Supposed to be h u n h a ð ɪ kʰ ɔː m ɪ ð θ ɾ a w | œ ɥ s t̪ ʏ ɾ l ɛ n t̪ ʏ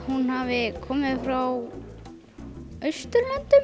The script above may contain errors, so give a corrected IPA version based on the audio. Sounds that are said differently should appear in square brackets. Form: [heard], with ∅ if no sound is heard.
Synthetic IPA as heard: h u n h a [v] ɪ kʰ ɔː m ɪ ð [f] ɾ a w | œ ɥ s t̪ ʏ ɾ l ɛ n t̪ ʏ